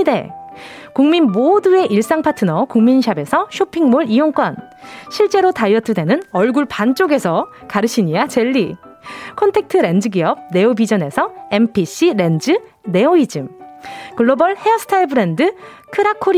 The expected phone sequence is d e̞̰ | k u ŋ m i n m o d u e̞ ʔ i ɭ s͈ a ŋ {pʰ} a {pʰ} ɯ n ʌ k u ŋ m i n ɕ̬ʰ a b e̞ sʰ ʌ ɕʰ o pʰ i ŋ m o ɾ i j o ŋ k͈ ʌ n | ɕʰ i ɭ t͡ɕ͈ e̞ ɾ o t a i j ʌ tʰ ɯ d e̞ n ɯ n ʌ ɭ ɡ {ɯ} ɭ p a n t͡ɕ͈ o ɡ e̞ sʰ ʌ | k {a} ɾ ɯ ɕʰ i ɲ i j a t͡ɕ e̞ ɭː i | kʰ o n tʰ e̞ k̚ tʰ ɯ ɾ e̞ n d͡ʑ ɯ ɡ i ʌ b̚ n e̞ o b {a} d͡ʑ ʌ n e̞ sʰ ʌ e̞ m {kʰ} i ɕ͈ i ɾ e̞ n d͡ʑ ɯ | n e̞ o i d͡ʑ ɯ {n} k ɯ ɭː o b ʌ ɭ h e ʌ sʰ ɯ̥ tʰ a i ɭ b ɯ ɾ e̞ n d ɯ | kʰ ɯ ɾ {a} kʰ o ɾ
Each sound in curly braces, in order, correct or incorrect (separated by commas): correct, incorrect, incorrect, correct, incorrect, incorrect, incorrect, correct